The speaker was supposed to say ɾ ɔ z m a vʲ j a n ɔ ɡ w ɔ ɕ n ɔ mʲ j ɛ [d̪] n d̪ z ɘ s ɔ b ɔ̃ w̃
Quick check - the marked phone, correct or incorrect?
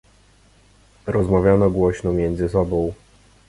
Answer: incorrect